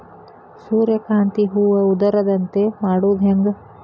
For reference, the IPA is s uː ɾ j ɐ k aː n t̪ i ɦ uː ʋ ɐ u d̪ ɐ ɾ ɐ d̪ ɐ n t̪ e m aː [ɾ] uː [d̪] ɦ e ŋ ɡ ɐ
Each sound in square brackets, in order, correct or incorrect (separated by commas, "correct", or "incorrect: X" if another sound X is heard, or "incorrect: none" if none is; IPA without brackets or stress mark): incorrect: ɽ, correct